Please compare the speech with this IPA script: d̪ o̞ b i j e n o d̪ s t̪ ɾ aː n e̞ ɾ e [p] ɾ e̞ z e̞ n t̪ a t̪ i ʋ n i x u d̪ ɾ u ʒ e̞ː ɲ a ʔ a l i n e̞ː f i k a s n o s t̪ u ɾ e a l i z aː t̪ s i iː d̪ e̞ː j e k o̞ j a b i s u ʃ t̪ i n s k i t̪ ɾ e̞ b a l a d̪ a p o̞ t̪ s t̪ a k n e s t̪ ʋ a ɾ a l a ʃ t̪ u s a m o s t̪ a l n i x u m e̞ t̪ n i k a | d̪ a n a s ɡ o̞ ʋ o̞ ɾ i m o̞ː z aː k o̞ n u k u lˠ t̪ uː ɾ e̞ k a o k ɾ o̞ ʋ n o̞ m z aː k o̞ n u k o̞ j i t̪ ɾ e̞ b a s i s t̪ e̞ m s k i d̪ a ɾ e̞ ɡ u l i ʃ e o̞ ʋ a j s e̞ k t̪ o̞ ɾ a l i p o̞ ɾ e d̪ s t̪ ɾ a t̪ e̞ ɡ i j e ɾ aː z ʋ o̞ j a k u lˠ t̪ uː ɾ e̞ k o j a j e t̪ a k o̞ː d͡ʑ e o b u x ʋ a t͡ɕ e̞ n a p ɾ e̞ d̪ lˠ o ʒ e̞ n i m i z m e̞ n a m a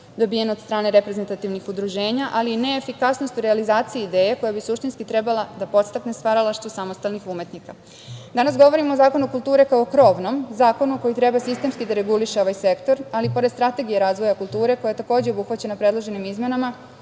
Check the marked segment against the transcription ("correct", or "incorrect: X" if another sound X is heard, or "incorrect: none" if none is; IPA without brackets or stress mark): correct